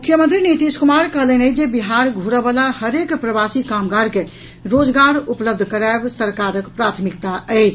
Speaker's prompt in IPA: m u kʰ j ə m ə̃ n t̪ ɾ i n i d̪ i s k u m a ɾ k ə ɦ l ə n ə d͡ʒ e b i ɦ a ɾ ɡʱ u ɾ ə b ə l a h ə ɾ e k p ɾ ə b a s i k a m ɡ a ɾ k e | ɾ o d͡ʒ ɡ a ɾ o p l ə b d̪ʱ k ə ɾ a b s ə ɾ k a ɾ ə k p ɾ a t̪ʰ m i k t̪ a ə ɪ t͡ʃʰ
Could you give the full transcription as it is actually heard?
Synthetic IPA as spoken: m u kʰ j ə m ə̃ n t̪ ɾ i n i t̪ i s k u m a ɾ k ə ɦ l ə n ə d͡ʒ e b i ɦ a ɾ ɡʱ u ɾ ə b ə l a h ə ɾ e k p ɾ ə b a s i k a m ɡ a ɾ k e | ɾ o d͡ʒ ɡ a ɾ u p l ə b d̪ʱ k ə ɾ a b s ə ɾ k a ɾ ə k p ɾ a t̪ʰ m i k t̪ a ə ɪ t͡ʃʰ